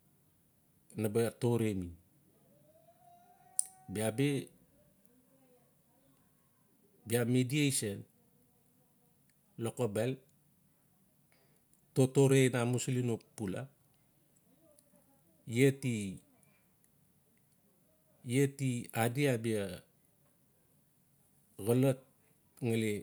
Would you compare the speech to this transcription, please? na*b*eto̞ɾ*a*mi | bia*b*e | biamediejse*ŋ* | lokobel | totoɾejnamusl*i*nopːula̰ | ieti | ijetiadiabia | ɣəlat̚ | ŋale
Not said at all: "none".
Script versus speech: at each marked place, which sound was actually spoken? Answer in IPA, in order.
b, e, b, n, i

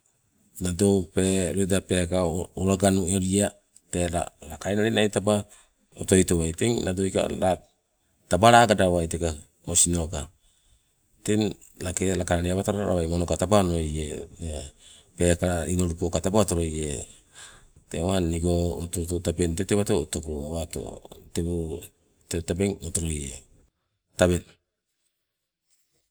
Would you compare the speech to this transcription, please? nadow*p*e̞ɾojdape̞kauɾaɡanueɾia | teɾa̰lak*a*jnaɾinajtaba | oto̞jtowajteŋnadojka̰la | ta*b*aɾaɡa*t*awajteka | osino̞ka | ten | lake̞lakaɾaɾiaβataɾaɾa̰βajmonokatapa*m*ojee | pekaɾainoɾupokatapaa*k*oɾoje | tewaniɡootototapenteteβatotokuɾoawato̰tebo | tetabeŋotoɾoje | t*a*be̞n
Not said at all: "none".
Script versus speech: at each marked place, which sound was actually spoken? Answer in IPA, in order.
p, a, b, d, n, t, a

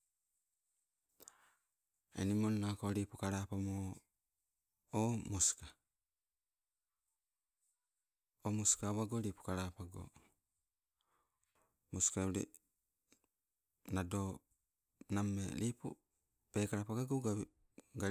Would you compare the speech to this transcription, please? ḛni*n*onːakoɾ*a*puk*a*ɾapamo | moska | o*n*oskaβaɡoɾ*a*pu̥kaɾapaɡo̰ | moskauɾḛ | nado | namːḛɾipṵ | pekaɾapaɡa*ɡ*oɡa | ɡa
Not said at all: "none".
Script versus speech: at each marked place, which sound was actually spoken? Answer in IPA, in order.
m, i, a, m, i, ɡ

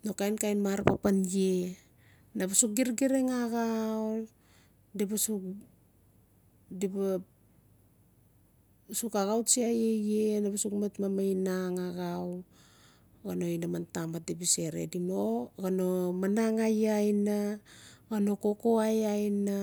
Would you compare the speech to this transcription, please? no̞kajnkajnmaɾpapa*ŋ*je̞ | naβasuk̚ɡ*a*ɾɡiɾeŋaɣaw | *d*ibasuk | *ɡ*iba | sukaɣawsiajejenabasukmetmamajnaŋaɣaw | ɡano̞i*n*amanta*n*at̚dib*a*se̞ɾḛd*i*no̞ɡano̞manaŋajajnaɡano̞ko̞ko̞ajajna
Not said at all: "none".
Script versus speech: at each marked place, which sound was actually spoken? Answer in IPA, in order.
n, i, d, d, n, m, i, i

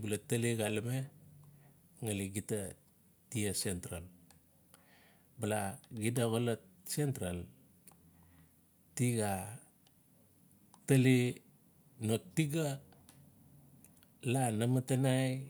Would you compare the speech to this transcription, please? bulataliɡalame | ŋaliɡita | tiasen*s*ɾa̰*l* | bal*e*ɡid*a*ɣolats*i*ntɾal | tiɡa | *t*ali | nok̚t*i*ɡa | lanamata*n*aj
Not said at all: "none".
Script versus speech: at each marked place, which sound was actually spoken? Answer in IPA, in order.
t, l, a, a, e, t, i, n

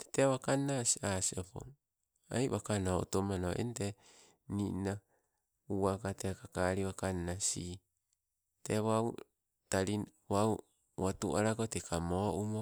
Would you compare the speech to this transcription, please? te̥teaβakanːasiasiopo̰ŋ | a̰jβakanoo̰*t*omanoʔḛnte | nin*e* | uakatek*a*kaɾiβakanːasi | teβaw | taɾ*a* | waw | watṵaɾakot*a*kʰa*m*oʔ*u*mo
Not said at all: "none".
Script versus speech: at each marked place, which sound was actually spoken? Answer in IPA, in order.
t, a, a, i, e, m, u

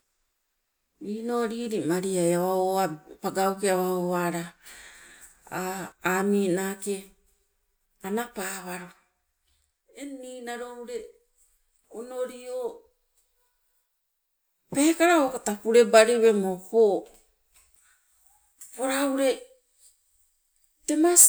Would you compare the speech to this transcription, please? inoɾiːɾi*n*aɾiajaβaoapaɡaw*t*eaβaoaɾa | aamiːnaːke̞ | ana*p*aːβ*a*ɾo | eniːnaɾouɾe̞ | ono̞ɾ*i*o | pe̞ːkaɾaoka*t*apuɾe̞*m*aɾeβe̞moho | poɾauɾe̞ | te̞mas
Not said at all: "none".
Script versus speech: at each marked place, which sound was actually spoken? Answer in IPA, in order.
m, k, p, a, i, t, b

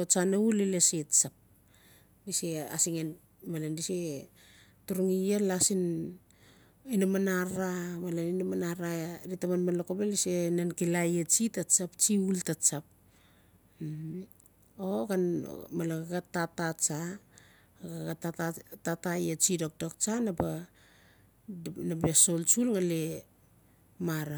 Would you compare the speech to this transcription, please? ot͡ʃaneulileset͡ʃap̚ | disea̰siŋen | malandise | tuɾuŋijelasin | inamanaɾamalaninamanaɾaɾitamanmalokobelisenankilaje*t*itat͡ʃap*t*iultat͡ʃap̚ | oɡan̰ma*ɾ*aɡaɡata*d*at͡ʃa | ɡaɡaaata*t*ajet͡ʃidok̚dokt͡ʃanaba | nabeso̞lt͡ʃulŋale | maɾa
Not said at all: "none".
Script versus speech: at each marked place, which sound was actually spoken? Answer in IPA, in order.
t͡ʃ, t͡ʃ, l, t, t

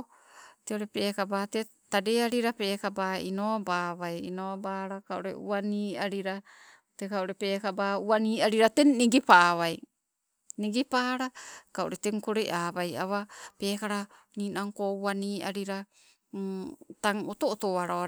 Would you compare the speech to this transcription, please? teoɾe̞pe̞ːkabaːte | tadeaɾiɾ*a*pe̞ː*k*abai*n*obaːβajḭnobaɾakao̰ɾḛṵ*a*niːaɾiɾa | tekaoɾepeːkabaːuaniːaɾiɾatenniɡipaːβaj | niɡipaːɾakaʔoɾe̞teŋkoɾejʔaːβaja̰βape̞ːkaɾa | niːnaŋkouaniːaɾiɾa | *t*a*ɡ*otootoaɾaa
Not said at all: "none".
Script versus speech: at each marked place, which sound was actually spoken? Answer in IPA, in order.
a, k, n, a, t, ŋ

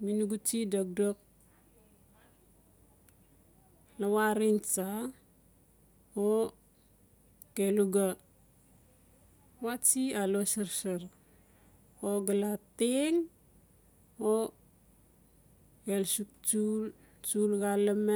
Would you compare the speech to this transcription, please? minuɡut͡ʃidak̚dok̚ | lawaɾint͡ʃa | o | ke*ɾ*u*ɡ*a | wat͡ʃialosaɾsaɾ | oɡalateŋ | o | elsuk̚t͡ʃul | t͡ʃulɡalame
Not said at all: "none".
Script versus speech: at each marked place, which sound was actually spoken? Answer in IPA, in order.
l, ɡ

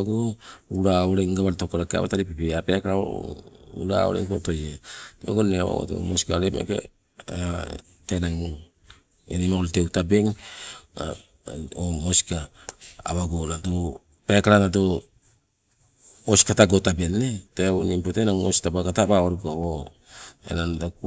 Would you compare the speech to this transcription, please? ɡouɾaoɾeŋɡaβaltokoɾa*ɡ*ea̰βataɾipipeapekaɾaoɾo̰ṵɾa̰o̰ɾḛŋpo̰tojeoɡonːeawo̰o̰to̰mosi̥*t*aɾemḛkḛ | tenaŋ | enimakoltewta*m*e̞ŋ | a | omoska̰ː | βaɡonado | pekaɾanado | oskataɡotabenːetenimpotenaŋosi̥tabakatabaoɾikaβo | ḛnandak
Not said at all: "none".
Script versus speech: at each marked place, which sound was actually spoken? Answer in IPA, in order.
k, k, b

